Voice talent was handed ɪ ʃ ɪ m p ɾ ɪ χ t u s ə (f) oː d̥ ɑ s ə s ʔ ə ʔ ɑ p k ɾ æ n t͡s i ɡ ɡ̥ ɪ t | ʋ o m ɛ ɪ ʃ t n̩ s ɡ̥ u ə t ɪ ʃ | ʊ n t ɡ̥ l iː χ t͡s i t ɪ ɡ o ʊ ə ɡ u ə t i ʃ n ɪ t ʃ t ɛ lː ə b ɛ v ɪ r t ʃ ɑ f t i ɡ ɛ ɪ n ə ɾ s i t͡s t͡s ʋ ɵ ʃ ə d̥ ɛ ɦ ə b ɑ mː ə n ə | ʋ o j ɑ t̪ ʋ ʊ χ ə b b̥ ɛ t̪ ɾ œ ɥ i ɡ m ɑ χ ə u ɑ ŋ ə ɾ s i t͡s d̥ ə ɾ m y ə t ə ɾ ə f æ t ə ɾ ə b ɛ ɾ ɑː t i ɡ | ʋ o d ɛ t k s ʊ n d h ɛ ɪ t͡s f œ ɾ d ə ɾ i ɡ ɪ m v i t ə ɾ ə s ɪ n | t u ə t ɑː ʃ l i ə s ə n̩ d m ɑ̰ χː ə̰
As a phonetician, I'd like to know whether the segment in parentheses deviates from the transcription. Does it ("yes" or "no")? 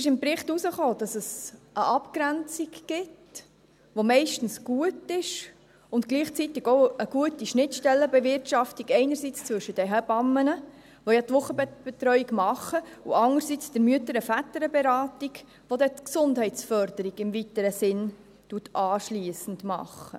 yes